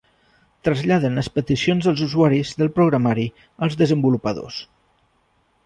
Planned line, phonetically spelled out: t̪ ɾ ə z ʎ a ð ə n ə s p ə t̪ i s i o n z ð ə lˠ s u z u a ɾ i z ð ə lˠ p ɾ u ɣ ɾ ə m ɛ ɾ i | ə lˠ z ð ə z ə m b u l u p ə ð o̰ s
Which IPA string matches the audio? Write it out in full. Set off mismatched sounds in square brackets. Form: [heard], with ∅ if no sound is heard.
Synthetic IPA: t̪ ɾ ə z ʎ a ð ə n ə s p ə t̪ i s i o n z ð ə lˠ [z] u z u a ɾ i z ð ə lˠ p ɾ u ɣ ɾ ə m [a] ɾ i | ə lˠ z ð ə z ə m b u l u p ə ð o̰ s